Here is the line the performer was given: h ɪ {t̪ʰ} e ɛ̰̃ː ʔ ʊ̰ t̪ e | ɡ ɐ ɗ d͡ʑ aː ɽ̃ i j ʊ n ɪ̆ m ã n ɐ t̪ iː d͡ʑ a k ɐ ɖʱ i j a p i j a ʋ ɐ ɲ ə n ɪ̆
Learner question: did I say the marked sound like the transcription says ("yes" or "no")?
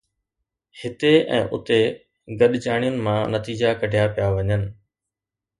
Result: no